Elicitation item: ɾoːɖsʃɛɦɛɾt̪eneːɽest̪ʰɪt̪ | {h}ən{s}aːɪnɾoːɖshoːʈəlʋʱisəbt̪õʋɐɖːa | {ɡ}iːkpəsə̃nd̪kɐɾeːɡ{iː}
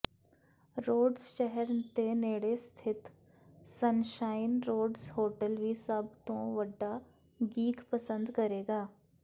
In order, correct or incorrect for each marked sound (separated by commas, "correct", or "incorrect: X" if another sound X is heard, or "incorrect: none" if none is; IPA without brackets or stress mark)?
incorrect: s, incorrect: ʃ, correct, incorrect: aː